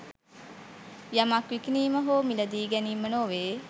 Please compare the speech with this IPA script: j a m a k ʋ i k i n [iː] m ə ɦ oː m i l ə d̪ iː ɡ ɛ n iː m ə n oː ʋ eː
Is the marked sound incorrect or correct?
correct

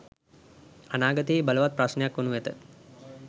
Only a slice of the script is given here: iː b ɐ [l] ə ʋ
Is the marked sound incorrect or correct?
correct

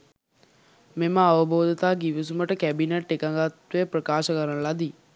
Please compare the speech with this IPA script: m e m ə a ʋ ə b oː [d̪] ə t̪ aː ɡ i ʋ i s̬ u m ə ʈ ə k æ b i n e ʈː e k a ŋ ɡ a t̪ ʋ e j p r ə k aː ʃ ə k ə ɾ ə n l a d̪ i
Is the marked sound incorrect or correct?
correct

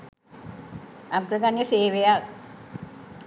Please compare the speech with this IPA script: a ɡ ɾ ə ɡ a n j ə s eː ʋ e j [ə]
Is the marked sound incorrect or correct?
incorrect: a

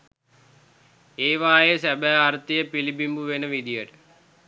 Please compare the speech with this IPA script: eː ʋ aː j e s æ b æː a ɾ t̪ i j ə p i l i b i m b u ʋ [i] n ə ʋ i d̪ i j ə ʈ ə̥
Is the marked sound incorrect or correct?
incorrect: e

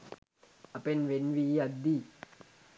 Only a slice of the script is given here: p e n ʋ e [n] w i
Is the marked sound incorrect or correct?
correct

